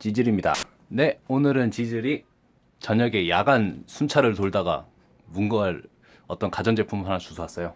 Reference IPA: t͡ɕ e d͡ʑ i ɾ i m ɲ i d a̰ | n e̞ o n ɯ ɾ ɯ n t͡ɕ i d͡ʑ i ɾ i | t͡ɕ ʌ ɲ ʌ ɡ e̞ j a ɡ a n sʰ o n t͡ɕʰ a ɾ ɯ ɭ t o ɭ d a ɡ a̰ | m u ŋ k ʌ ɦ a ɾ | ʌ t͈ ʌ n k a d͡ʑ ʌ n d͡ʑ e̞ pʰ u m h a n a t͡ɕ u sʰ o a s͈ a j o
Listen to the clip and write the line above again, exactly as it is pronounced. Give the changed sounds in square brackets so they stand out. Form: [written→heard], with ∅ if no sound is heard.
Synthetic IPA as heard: t͡ɕ [e→i] d͡ʑ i ɾ i m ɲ i d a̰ | n e̞ o n ɯ ɾ ɯ n t͡ɕ i d͡ʑ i ɾ i | t͡ɕ ʌ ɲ ʌ ɡ e̞ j a ɡ a n sʰ [o→u] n t͡ɕʰ a ɾ ɯ ɭ t o ɭ d a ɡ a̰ | m u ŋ [k→ɡ] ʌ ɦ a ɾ | ʌ t͈ ʌ n k a d͡ʑ ʌ n d͡ʑ e̞ pʰ u m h a n a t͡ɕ u sʰ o a s͈ [a→ʌ] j o